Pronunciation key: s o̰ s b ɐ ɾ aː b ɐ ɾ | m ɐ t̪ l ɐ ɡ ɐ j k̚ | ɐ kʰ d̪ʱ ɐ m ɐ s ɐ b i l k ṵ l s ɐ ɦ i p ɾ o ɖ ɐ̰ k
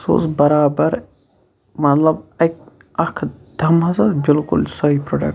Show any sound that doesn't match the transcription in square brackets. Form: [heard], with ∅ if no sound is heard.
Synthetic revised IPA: s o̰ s b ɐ ɾ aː b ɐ ɾ | m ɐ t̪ l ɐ [b] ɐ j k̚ | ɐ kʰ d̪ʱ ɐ m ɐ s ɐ b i l k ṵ l s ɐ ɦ i p ɾ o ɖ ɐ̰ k